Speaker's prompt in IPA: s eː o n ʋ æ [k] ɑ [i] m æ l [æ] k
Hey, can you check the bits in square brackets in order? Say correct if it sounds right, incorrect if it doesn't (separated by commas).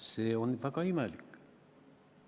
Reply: correct, correct, incorrect